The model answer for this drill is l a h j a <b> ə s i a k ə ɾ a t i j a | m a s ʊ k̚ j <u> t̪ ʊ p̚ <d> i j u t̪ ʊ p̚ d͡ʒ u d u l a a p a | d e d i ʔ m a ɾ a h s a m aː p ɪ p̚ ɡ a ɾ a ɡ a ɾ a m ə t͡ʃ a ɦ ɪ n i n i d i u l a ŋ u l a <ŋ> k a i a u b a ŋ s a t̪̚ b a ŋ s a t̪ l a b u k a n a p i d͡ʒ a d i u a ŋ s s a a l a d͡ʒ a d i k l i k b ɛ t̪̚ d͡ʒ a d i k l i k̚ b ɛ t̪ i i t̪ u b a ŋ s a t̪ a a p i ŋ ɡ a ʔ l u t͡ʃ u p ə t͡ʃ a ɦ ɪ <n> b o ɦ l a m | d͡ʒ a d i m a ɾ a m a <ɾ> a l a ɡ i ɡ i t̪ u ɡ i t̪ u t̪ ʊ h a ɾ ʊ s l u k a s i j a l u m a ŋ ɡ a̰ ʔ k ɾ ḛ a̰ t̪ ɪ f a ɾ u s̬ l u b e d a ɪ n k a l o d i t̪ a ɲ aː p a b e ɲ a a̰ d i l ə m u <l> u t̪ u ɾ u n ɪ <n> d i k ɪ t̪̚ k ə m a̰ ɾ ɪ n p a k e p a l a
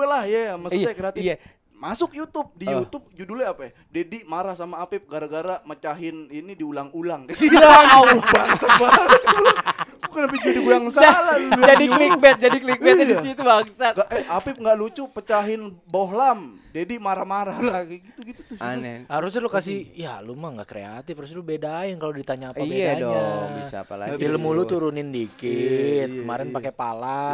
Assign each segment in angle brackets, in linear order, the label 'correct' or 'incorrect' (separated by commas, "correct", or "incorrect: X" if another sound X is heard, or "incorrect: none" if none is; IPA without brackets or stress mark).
incorrect: m, correct, correct, correct, correct, correct, correct, correct